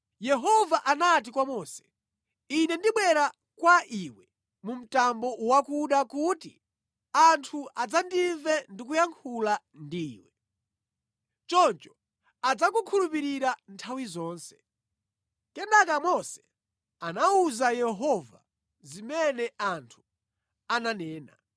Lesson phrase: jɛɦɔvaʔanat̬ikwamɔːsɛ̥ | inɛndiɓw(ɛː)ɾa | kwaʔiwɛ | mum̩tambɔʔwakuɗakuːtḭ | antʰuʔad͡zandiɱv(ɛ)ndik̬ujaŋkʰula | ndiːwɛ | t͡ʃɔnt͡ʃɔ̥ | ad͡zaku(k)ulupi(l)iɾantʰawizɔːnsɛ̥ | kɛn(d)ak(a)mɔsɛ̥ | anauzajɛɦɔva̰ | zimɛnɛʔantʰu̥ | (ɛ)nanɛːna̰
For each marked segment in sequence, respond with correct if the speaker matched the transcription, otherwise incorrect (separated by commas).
incorrect, correct, incorrect, incorrect, correct, correct, incorrect